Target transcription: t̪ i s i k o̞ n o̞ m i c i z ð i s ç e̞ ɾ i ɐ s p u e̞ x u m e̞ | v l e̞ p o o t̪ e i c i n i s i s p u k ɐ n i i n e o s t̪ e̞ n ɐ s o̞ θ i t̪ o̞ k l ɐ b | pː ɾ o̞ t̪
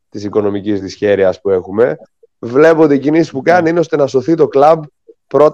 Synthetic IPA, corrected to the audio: t̪ i s i k o̞ n o̞ m i c i z ð i s ç e̞ ɾ i ɐ s p u e̞ x u m e̞ | v l e̞ p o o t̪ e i c i n i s i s p u k ɐ n i i n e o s t̪ e̞ n ɐ s o̞ θ i t̪ o̞ k l ɐ b | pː ɾ o̞ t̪